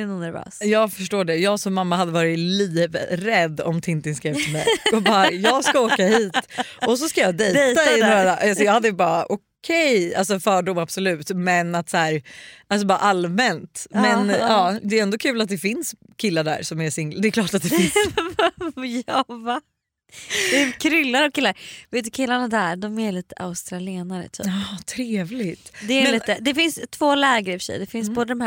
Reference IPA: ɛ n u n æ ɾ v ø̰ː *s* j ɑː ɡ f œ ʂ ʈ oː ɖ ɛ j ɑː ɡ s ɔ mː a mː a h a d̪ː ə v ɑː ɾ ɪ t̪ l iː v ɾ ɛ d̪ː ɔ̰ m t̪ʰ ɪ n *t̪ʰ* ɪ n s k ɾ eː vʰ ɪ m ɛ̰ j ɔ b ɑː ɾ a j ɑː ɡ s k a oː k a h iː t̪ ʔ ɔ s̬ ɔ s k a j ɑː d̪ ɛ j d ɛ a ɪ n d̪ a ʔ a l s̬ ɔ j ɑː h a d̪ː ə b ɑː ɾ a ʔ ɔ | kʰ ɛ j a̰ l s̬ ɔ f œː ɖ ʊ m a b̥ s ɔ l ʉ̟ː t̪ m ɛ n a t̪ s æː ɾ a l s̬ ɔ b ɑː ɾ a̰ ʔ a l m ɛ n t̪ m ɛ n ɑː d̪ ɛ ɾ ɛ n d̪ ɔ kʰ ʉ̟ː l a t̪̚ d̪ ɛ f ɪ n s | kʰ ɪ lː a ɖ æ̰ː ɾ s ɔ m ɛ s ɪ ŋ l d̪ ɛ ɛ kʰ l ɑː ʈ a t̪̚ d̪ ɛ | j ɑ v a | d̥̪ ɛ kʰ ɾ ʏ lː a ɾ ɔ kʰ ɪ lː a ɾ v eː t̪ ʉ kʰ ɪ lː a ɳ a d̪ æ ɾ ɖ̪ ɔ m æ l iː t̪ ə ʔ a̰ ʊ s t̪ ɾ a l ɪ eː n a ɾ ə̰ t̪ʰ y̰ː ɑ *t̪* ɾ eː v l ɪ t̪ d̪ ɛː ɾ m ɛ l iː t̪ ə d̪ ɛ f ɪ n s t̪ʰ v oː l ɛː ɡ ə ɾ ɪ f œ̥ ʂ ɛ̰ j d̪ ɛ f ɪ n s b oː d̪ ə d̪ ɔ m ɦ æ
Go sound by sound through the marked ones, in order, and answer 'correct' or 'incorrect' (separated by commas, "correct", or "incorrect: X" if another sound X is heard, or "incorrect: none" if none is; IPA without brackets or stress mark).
correct, incorrect: t̪, incorrect: t̪ʰ